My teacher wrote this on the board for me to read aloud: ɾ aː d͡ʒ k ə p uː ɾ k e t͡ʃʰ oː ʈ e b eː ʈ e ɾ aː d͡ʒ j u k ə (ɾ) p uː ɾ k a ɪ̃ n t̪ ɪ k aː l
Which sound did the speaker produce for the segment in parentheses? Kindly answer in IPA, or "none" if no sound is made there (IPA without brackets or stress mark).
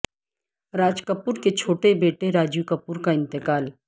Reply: none